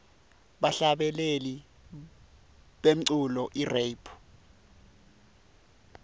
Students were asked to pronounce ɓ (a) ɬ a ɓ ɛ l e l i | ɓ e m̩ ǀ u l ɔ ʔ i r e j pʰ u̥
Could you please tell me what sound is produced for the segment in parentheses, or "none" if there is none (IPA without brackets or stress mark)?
a